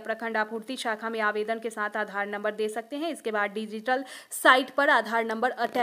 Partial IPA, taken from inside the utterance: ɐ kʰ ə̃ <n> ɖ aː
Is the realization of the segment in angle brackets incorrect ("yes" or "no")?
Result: yes